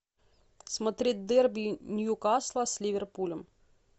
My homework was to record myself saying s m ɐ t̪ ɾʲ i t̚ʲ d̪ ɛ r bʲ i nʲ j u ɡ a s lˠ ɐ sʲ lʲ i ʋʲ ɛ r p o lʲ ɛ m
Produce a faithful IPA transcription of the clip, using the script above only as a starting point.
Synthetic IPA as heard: s m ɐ t̪ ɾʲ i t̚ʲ d̪ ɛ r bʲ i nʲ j u k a s lˠ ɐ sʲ lʲ i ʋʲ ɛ r p u lʲ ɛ m